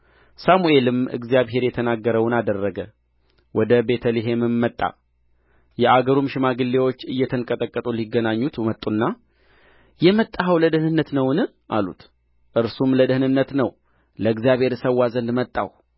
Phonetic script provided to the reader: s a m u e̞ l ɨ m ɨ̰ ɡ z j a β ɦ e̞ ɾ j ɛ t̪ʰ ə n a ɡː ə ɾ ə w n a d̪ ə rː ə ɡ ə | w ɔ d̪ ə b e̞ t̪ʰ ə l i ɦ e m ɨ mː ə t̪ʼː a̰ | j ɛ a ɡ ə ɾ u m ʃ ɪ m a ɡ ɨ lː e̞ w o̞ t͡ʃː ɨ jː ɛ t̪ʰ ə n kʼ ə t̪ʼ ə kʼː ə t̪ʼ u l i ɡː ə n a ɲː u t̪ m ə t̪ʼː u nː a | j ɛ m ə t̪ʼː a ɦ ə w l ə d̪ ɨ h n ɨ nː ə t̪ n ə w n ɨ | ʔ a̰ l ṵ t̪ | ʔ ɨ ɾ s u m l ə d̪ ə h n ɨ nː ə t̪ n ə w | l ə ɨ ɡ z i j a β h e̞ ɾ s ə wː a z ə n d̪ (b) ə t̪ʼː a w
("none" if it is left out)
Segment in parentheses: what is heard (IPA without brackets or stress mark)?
m